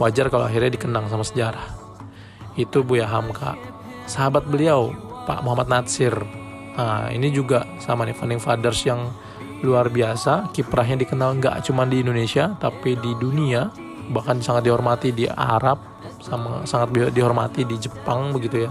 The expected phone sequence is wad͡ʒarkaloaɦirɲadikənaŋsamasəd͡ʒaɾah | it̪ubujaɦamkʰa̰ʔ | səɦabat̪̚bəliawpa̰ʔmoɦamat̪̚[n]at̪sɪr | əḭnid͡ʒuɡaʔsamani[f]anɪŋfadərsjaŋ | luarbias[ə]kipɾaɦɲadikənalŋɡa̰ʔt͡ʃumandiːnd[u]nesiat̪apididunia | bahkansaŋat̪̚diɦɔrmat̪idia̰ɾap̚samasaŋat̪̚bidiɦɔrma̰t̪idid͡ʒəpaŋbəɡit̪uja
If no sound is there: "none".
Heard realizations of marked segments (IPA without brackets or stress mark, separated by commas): n, f, a, o